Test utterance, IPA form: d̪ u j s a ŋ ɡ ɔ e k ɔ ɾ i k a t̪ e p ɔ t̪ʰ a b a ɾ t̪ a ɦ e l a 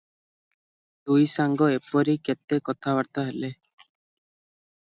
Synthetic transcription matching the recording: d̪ u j s a ŋ ɡ ɔ e p ɔ ɾ i k e t̪ e k ɔ t̪ʰ a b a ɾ t̪ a ɦ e l e